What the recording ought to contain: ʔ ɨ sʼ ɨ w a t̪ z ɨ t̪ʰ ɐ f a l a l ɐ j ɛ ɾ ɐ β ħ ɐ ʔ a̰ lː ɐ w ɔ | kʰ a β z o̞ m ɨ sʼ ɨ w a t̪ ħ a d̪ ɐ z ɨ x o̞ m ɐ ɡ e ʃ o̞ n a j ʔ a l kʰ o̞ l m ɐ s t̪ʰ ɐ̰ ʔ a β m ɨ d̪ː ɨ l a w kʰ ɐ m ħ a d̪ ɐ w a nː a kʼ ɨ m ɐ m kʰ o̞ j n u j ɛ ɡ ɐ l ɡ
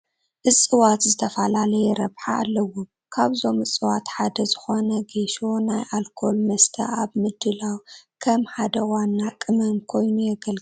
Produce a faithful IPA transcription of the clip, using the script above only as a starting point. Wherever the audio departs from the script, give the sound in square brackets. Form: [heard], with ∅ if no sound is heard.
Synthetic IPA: ʔ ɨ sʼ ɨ w a t̪ z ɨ t̪ʰ ɐ f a l a l ɐ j ɛ ɾ ɐ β ħ [a] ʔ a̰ lː ɐ w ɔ | kʰ a β z o̞ m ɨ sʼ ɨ w a t̪ ħ a d̪ ɐ z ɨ x o̞ [n] ɐ ɡ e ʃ o̞ n a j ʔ a l kʰ o̞ l m ɐ s t̪ʰ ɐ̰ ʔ a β m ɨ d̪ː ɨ l a w kʰ ɐ m ħ a d̪ ɐ w a nː a kʼ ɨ m ɐ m kʰ o̞ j n u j ɛ ɡ ɐ l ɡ